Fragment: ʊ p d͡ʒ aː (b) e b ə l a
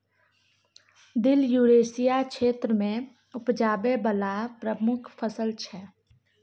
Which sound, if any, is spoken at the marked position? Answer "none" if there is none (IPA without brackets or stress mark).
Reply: b